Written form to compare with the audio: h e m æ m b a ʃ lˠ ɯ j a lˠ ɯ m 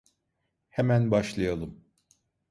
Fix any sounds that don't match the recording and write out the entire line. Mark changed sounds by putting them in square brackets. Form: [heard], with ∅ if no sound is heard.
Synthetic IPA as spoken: h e m æ [n] b a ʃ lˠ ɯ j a lˠ ɯ m